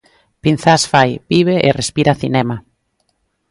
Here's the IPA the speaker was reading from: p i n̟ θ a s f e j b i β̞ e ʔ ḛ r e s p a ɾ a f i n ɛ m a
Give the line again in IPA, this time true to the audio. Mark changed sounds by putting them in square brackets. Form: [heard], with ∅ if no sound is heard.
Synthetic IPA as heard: p i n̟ θ a s f [a] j b i β̞ e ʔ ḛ r e s p [i] ɾ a [θ] i n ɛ m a